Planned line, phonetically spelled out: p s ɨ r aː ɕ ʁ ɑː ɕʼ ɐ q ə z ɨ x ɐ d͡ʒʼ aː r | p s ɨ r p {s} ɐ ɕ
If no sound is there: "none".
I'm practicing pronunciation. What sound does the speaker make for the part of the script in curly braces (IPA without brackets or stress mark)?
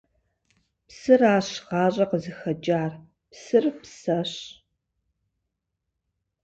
s